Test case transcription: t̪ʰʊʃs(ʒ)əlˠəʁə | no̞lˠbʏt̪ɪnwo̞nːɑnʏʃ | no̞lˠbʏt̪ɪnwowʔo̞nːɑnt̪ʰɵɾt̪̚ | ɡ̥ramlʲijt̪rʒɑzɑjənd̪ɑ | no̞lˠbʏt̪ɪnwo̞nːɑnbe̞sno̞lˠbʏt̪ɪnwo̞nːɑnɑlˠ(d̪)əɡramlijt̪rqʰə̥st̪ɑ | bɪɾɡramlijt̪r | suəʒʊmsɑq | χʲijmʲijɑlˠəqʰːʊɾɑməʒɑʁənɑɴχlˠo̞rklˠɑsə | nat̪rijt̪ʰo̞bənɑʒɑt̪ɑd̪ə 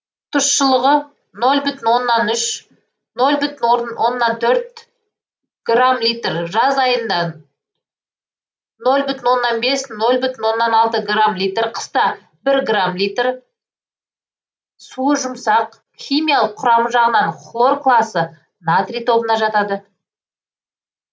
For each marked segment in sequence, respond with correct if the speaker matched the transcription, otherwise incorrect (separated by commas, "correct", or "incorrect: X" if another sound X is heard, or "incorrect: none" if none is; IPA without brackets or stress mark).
incorrect: ʃ, incorrect: t̪